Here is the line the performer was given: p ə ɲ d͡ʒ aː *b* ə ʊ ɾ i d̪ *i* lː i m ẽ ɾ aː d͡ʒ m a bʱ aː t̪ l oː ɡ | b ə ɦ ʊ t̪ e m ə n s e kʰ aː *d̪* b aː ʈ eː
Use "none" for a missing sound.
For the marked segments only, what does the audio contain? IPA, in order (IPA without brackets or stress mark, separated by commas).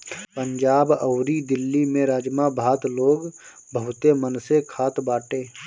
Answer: b, ɪ, t̪